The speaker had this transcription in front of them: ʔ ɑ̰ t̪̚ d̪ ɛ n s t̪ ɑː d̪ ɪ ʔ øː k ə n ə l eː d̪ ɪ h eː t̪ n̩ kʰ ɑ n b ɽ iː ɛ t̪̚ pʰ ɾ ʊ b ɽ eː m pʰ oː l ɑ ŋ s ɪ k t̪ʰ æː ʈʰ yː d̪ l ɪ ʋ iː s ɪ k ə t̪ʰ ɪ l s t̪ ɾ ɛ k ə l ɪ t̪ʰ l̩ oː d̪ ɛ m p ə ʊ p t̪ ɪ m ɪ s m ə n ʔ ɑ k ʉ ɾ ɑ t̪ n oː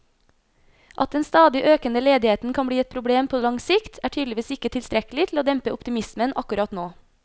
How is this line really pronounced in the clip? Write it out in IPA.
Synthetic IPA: ʔ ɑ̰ t̪̚ d̪ ɛ n s t̪ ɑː d̪ ɪ ʔ øː k ə n ə l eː d̪ ɪ h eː t̪ n̩ kʰ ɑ n b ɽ iː ɛ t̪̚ pʰ ɾ ʊ b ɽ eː m pʰ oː l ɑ ŋ s ɪ k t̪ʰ æː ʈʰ yː d̪ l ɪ ʋ iː s ɪ k ə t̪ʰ ɪ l s t̪ ɾ ɛ k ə l ɪ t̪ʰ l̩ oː d̪ ɛ m p ə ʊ p t̪ ɪ m ɪ s m ə n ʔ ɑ k ʉ ɾ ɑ t̪ n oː